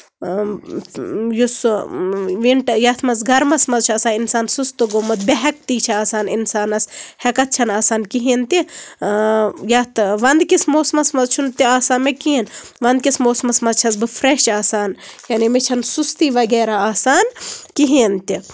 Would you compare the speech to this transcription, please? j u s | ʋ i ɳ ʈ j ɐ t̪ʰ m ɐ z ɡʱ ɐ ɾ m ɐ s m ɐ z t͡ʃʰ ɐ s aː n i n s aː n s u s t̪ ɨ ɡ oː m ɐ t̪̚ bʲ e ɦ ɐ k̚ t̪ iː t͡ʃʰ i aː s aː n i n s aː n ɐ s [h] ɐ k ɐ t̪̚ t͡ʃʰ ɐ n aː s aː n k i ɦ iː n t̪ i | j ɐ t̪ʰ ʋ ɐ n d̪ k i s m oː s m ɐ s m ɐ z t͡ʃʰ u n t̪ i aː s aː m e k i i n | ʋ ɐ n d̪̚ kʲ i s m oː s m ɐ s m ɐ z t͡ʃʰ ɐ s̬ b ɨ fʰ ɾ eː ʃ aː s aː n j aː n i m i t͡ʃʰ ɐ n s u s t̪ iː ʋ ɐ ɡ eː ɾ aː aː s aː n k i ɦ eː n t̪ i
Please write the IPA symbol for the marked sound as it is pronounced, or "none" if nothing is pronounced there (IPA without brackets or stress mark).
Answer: h